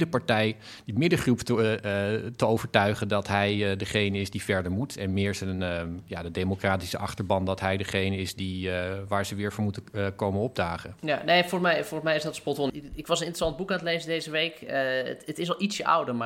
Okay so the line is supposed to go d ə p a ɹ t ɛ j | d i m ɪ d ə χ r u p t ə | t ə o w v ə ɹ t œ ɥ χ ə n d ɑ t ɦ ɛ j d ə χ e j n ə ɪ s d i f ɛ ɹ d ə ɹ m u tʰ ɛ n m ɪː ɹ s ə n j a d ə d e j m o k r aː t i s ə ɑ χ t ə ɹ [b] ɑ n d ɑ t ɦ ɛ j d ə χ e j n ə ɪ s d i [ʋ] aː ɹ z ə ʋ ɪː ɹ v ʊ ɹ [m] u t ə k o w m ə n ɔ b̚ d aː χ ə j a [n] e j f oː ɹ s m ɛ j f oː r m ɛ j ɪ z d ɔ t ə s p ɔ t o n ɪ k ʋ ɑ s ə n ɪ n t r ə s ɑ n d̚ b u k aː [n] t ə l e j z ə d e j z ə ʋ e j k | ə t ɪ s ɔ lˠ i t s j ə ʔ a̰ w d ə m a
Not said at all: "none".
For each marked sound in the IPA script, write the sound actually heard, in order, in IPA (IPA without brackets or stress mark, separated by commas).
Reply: b, ʋ, m, n, n